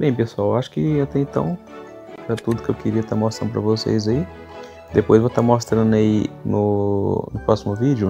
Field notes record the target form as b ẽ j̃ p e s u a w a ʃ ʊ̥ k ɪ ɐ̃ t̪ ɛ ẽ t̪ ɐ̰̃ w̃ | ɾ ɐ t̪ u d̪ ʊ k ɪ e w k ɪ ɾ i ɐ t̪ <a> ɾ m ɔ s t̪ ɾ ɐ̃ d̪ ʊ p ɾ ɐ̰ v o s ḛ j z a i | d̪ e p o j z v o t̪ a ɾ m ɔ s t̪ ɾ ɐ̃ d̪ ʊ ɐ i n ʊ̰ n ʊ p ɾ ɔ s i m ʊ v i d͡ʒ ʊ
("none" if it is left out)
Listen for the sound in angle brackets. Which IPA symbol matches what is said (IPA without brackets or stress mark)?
a